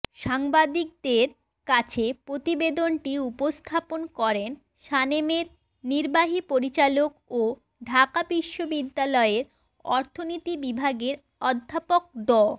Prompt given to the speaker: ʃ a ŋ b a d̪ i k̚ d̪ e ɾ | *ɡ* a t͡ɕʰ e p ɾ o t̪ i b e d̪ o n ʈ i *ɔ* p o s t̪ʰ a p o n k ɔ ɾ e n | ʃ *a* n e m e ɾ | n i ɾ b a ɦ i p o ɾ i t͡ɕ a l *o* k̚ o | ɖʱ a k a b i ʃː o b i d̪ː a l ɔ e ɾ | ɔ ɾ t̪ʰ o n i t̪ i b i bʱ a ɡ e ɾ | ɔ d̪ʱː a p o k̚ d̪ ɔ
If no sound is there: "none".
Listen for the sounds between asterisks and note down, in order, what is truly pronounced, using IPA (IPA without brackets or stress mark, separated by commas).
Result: k, u, a, o